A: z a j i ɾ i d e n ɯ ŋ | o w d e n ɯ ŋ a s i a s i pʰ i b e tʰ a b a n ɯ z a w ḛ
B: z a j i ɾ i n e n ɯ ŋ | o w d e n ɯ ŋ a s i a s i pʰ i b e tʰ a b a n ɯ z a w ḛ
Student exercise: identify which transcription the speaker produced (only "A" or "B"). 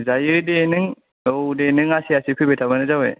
A